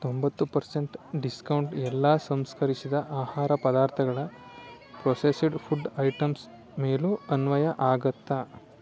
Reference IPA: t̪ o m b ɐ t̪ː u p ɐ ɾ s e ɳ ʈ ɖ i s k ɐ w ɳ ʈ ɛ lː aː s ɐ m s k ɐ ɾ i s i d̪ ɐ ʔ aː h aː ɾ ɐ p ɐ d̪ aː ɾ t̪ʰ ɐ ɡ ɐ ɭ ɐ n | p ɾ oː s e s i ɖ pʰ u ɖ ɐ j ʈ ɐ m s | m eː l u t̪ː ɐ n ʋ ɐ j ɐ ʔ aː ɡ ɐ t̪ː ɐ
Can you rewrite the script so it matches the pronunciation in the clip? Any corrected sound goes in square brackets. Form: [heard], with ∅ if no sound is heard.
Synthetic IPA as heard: t̪ o m b ɐ t̪ː u p ɐ ɾ s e ɳ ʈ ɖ i s k ɐ w ɳ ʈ ɛ lː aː s ɐ m s k ɐ ɾ i s i d̪ ɐ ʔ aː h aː ɾ ɐ p ɐ d̪ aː ɾ t̪ʰ ɐ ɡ ɐ ɭ ɐ [∅] | p ɾ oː s e s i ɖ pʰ u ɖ ɐ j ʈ ɐ m s | m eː l u [∅] ɐ n ʋ ɐ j ɐ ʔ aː ɡ ɐ t̪ː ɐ